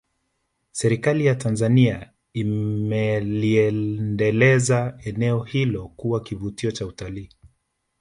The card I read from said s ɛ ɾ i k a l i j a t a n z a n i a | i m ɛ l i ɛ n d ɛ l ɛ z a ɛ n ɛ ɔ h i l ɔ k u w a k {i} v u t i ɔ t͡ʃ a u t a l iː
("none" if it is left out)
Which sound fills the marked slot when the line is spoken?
i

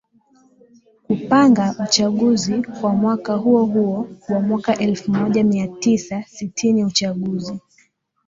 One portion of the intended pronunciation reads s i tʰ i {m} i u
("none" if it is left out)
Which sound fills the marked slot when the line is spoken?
n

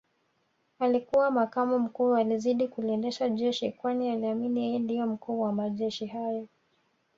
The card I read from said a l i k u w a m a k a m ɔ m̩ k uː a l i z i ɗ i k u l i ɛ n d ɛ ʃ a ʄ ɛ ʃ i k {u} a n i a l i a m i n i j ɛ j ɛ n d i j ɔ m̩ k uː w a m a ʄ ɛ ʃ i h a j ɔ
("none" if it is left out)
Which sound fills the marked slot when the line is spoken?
w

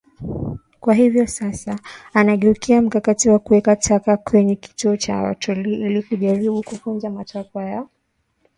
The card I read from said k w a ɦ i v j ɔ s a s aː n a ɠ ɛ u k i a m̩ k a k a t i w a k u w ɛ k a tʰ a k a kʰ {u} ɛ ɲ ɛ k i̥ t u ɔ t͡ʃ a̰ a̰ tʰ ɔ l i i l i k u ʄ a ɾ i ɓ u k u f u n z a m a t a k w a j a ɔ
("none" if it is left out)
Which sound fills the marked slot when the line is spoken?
w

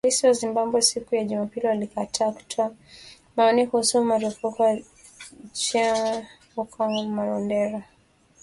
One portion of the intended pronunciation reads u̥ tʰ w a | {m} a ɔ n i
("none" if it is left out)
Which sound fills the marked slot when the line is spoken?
m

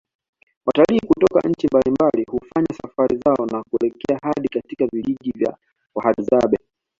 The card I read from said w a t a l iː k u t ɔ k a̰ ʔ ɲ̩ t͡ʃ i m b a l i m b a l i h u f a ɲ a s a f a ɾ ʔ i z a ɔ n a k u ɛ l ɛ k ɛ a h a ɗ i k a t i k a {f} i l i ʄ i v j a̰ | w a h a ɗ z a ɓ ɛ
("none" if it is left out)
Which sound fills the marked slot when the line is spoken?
v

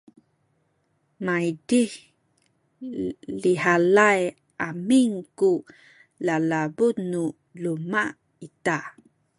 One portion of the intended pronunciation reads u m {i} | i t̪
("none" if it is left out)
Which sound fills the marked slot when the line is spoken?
a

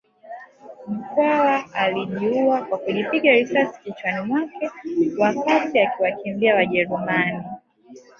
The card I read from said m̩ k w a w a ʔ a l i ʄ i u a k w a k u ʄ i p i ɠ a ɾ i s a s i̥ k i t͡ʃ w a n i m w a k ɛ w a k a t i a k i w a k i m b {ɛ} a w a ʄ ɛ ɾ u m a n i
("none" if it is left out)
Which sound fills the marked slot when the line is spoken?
i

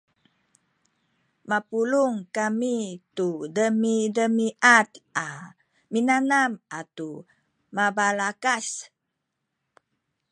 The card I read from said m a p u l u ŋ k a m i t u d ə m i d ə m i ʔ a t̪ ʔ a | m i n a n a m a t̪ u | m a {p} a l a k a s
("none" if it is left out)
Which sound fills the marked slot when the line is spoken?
b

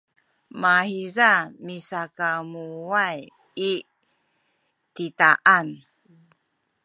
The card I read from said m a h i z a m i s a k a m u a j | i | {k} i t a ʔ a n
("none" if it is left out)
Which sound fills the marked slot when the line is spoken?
t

